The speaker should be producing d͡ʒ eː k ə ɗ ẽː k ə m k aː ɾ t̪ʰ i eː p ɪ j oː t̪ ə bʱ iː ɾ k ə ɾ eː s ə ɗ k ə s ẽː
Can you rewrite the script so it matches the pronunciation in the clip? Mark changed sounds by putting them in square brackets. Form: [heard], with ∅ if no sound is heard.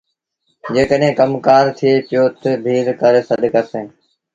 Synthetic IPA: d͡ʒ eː k ə ɗ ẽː k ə m k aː ɾ t̪ʰ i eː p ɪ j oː t̪ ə bʱ iː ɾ k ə ɾ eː s ə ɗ k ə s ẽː